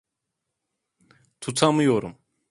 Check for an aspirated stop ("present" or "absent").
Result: present